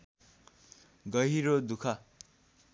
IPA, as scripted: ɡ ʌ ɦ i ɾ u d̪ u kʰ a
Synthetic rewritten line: ɡ ʌ ɦ i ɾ o d̪ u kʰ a